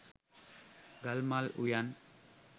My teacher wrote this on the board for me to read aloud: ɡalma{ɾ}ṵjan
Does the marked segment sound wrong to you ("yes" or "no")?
yes